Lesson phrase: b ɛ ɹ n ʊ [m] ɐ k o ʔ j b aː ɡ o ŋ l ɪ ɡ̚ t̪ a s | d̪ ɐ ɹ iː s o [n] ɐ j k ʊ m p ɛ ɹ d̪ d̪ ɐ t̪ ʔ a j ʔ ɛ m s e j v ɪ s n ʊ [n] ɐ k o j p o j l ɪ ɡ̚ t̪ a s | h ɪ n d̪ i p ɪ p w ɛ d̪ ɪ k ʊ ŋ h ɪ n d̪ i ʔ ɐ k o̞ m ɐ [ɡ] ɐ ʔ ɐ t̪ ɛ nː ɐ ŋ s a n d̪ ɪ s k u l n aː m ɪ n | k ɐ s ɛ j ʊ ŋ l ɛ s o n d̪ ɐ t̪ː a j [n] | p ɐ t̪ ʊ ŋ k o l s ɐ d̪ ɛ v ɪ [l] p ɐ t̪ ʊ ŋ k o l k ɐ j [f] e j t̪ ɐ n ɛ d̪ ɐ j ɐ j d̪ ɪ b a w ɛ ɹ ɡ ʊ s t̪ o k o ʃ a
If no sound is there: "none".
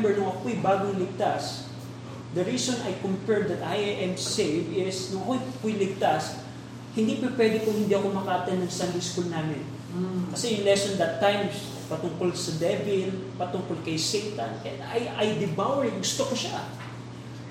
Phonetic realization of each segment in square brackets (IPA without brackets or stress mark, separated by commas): ŋ, n, ŋ, k, m, l, s